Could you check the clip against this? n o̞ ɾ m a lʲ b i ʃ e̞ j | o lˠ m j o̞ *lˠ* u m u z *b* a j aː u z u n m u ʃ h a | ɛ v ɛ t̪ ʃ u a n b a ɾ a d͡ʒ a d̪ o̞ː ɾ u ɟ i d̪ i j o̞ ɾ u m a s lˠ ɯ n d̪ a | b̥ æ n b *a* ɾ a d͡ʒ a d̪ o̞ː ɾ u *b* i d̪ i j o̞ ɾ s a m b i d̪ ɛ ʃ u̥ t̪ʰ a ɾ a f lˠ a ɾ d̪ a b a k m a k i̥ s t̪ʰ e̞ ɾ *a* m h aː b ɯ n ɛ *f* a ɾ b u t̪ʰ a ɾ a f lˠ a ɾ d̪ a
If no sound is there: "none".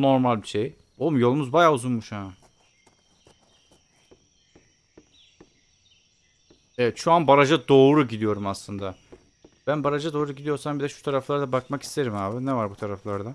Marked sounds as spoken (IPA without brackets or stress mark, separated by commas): lˠ, b, a, ɟ, i, v